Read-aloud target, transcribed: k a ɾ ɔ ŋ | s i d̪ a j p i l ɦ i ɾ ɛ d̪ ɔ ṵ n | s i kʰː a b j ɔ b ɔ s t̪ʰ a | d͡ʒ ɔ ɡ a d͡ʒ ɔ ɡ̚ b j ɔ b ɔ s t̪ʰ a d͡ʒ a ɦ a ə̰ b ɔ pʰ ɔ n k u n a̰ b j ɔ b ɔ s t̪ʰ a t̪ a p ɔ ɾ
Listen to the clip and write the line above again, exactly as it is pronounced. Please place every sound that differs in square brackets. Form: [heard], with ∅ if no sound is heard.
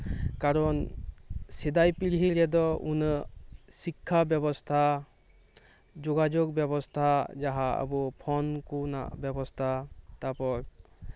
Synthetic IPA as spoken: k a ɾ ɔ [n] | s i d̪ a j p i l ɦ i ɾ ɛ d̪ ɔ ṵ n | s i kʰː a b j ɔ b ɔ s t̪ʰ a | d͡ʒ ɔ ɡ a d͡ʒ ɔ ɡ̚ b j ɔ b ɔ s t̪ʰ a d͡ʒ a ɦ a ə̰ b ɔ pʰ ɔ n k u n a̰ b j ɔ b ɔ s t̪ʰ a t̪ a p ɔ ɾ